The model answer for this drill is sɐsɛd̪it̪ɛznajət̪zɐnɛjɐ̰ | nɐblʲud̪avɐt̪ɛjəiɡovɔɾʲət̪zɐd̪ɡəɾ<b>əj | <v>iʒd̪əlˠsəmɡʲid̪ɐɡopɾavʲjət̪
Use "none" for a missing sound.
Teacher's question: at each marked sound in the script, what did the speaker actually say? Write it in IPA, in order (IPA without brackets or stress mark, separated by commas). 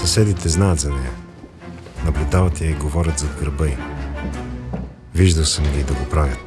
b, v